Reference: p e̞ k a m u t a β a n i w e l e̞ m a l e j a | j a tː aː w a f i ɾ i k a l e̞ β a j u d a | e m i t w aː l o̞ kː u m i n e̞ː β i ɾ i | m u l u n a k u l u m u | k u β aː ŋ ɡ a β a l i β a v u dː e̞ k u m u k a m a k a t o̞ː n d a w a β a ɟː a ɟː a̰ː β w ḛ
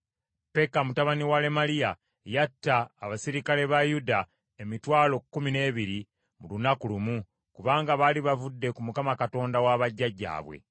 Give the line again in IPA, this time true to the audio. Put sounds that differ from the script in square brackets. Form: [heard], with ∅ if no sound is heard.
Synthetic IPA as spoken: p e̞ k a m u t a β a n i w [a] l e̞ m a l [i] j a | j a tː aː [β] a [s] i ɾ i k a l e̞ β a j u d a | e m i t w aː l o̞ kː u m i n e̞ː β i ɾ i | m u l u n a k u l u m u | k u β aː ŋ ɡ a β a l i β a v u dː e̞ k u m u k a m a k a t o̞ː n d a w a β a ɟː a ɟː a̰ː β w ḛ